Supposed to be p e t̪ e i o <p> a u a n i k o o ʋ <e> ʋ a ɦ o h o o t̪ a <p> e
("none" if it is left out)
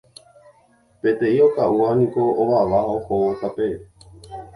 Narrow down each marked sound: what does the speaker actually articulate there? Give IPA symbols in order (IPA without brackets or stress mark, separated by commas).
k, a, p